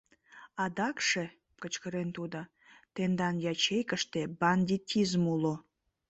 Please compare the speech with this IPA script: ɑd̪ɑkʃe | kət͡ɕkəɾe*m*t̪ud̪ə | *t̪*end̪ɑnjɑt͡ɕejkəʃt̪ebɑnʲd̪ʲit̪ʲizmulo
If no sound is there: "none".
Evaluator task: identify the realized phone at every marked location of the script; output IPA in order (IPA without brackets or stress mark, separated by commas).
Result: n, t̪